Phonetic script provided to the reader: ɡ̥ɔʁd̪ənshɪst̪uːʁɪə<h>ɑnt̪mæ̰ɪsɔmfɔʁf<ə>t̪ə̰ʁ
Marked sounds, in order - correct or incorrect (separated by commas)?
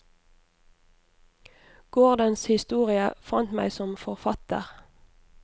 incorrect, incorrect